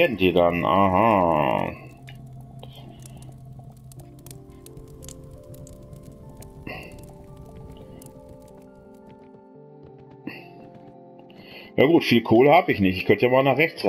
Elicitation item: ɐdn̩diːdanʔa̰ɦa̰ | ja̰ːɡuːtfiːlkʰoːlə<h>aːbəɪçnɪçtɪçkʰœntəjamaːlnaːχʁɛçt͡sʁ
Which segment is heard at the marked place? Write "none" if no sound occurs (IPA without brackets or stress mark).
h